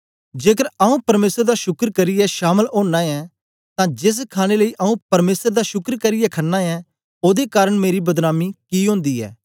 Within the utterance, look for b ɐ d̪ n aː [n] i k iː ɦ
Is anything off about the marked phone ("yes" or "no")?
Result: yes